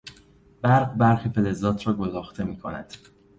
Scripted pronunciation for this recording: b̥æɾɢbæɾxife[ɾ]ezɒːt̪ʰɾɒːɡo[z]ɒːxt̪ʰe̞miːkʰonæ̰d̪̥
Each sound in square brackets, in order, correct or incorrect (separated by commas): incorrect, correct